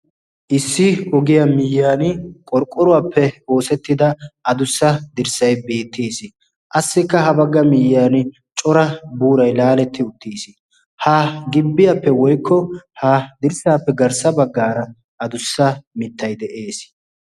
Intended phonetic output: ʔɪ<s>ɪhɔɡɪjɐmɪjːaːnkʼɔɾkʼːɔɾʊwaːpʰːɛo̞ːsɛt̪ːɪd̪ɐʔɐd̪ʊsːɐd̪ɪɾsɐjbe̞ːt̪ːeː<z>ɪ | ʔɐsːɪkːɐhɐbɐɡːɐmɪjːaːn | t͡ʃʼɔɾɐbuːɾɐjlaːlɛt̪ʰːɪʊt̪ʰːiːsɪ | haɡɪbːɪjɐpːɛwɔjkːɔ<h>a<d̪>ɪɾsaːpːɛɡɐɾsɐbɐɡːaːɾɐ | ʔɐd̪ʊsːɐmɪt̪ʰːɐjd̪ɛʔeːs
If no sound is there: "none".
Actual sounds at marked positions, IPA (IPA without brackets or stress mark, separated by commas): sː, s, h, d̪